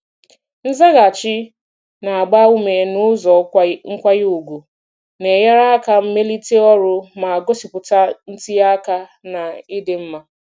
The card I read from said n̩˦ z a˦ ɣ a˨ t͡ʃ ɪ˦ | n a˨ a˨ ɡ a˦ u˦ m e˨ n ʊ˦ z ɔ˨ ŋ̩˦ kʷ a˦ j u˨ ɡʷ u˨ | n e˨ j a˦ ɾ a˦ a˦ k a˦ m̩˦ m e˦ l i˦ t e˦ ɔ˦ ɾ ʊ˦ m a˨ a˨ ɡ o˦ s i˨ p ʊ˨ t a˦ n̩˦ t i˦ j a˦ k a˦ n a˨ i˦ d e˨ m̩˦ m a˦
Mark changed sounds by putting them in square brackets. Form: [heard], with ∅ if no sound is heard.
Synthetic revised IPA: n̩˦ z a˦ ɣ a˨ t͡ʃ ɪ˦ | n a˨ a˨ [ɡ͡b] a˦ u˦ m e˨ n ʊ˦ z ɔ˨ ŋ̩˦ kʷ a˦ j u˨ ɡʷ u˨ | n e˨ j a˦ ɾ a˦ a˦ k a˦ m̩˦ m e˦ l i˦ t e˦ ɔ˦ ɾ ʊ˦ m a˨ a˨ ɡ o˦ s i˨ p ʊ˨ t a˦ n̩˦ t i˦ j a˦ k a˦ n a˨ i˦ d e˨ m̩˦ m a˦